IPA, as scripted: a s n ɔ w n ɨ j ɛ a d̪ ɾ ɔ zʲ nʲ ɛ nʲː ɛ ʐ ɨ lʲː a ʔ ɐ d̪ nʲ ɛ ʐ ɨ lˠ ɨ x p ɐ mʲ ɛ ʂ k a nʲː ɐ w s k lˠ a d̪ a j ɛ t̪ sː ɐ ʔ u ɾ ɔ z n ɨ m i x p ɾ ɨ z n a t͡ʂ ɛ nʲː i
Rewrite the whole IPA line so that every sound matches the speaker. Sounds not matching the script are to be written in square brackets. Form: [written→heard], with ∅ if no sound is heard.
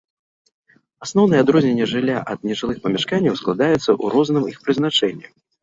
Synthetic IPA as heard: a s n ɔ w n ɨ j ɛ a d̪ ɾ ɔ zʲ nʲ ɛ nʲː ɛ ʐ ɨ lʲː a ʔ ɐ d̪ nʲ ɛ ʐ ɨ lˠ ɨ x p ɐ mʲ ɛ ʂ k a nʲː ɐ w s k lˠ a d̪ a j ɛ t̪ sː ɐ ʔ u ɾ ɔ z n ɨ m i x p ɾ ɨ z n a t͡ʂ ɛ nʲː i